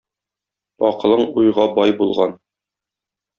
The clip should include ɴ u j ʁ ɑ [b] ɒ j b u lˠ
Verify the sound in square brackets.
correct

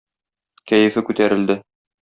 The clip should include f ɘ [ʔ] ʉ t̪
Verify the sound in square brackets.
incorrect: k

